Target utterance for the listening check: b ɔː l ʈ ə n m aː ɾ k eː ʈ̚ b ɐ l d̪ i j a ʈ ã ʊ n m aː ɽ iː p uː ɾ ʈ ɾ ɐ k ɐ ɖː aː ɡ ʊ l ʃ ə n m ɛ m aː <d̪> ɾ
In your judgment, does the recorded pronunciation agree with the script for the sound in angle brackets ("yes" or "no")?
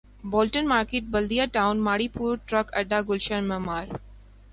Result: no